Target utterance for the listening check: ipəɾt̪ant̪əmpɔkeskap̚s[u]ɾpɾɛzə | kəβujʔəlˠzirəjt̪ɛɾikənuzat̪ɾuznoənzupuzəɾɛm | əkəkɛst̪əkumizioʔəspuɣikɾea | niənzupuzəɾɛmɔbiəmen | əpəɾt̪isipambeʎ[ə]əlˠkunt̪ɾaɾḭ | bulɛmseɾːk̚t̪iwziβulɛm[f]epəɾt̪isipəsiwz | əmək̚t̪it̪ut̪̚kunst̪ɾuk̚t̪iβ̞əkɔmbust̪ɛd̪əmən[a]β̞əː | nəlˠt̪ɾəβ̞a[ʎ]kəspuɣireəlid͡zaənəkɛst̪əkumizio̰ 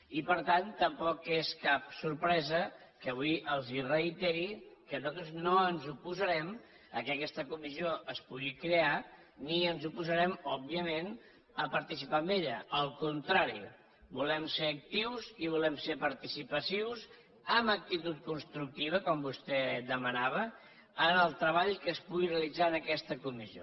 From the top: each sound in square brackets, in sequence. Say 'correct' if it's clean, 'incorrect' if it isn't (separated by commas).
correct, correct, incorrect, correct, correct